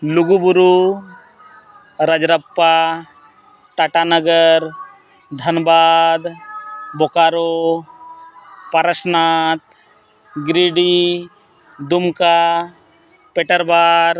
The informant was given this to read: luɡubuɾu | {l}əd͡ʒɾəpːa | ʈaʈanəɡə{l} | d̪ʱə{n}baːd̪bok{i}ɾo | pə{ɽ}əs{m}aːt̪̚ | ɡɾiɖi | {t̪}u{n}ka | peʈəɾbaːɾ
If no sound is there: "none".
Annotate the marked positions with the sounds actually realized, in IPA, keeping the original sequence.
ɾ, ɾ, n, a, ɾ, n, d̪, m

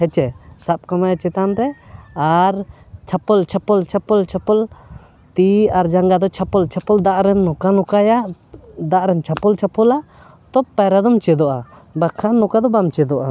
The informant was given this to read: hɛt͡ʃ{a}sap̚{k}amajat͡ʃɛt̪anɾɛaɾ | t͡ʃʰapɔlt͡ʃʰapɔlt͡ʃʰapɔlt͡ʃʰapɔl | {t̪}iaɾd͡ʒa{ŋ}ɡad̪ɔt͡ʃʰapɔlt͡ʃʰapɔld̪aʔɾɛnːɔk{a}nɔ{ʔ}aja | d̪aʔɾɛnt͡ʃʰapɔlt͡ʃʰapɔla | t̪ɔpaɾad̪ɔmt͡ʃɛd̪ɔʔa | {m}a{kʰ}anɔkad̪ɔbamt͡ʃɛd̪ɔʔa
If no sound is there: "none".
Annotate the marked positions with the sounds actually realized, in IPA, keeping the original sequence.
ɛ, k, t̪, ŋ, a, k, b, kʰ

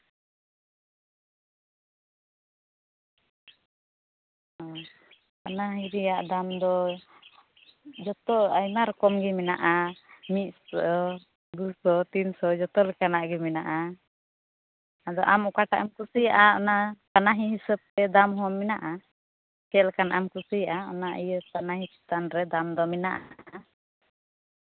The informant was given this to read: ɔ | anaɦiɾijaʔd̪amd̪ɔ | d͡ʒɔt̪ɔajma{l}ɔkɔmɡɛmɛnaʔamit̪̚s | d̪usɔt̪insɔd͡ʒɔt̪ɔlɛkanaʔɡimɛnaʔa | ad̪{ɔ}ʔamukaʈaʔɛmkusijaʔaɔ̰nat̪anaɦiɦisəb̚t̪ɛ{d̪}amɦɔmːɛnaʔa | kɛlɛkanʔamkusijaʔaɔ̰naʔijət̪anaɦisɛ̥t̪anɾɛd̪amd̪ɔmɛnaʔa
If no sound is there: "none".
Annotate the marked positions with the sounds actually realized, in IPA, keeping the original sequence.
ɾ, ɔ, d̪

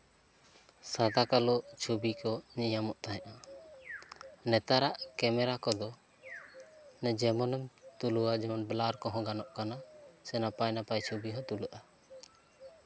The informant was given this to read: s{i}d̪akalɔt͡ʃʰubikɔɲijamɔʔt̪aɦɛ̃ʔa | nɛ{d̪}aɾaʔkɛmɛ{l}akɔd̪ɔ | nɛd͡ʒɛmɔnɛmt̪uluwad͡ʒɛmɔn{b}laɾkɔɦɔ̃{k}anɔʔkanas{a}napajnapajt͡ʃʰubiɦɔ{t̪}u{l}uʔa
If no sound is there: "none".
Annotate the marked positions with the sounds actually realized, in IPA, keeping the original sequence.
a, t̪, ɾ, b, ɡ, ɛ, t̪, l

